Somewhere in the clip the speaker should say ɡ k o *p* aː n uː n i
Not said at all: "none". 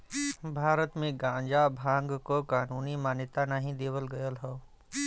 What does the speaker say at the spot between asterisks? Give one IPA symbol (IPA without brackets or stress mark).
k